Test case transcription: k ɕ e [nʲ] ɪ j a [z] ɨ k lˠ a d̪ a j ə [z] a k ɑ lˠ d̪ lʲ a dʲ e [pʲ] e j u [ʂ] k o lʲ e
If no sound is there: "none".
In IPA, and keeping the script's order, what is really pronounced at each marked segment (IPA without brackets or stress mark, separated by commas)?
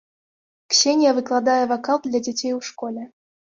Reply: nʲ, v, v, tʲ, ʂ